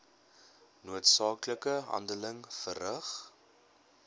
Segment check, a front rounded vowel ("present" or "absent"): absent